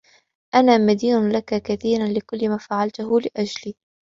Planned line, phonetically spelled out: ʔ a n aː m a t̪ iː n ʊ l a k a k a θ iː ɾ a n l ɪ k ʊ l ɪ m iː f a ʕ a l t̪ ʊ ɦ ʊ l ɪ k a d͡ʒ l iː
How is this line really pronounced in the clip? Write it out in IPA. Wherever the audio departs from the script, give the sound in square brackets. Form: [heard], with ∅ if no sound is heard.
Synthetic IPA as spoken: ʔ a n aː m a [d̪] iː n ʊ l a k a k a θ iː ɾ a n l ɪ k ʊ [lː] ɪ m [aː] f a ʕ a l t̪ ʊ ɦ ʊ l ɪ [ʔ] a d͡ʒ l iː

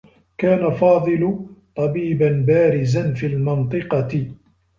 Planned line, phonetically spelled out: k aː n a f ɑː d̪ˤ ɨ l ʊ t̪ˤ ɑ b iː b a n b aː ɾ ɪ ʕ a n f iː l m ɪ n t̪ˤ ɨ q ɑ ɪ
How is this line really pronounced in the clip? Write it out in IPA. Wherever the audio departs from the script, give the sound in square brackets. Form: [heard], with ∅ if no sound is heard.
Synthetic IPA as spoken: k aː n a f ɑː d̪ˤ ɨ l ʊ t̪ˤ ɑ b iː b a n b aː ɾ ɪ [z] a n f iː l m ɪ n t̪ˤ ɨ q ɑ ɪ

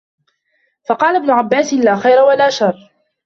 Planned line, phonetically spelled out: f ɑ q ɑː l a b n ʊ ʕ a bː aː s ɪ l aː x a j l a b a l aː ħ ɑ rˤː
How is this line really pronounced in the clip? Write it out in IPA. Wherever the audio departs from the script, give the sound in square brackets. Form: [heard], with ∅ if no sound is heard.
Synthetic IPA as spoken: f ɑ q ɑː l a b n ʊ ʕ a bː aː s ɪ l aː x a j [ɾ] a [w] a l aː [ʃ] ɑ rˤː

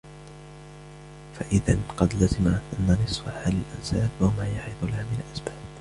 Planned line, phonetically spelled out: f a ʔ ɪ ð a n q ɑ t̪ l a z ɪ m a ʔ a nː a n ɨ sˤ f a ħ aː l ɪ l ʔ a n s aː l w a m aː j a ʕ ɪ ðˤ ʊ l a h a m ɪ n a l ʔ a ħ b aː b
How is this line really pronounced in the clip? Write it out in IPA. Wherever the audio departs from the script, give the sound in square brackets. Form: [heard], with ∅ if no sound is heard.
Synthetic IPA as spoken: f a ʔ ɪ ð a n q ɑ [d̪] l a z ɪ m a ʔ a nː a n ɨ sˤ f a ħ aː l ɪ l ʔ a n s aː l w a m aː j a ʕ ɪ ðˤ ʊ l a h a m ɪ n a l ʔ a [s] b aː b

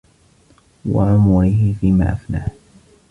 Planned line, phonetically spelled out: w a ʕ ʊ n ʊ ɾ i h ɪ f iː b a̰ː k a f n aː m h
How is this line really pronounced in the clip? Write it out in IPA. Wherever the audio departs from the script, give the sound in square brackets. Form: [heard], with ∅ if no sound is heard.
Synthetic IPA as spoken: w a ʕ ʊ [m] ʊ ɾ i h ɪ f iː [m] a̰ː [ʔ] a f n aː [∅] h

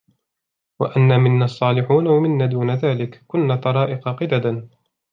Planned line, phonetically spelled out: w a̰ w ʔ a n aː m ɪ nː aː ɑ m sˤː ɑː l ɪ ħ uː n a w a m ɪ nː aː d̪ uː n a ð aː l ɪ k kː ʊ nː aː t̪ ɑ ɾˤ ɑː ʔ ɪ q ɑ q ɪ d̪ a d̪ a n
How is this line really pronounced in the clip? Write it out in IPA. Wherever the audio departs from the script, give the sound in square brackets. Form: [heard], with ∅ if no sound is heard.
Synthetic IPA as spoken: w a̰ [∅] ʔ a [nː] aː m ɪ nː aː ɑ [∅] sˤː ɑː l ɪ ħ uː n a w a m ɪ nː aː d̪ uː n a ð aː l ɪ k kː ʊ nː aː t̪ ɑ ɾˤ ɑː ʔ ɪ q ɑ q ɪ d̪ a d̪ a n

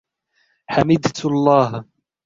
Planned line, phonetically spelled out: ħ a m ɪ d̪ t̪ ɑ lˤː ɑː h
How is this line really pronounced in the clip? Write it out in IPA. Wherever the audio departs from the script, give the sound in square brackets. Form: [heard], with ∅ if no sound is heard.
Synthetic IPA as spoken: ħ a m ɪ d̪ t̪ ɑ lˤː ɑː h

